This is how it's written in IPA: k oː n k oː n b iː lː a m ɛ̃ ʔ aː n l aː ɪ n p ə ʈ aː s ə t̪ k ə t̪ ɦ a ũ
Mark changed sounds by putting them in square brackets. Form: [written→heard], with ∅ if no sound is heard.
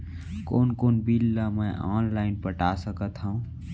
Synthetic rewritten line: k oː n k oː n b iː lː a m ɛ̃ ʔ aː n l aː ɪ n p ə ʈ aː s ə [t̪→∅] k ə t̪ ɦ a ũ